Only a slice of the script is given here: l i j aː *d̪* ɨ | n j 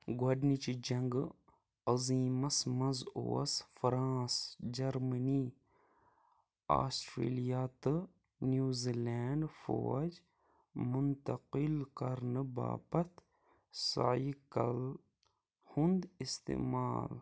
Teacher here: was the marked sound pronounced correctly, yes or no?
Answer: no